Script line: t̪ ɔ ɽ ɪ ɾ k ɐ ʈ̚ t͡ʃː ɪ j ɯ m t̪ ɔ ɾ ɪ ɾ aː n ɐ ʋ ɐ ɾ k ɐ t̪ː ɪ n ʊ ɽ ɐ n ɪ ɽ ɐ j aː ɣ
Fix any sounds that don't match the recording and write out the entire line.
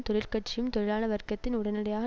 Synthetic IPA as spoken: t̪ ɔ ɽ ɪ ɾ k ɐ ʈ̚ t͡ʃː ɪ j ɯ m t̪ ɔ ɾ ɪ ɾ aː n ɐ ʋ ɐ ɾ k ɐ t̪ː ɪ n ʊ ɽ ɐ n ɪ ɽ ɐ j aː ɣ